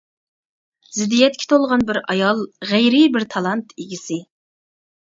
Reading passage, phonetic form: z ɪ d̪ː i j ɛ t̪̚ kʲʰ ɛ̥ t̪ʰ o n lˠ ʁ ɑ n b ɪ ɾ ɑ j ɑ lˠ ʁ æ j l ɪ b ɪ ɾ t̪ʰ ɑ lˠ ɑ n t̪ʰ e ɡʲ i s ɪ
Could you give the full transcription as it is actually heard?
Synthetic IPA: z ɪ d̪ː i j ɛ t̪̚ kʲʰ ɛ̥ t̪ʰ o lˠ ʁ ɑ n b ɪ ɾ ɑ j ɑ lˠ ʁ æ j ɾ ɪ b ɪ ɾ t̪ʰ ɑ lˠ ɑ n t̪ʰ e ɡʲ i s ɪ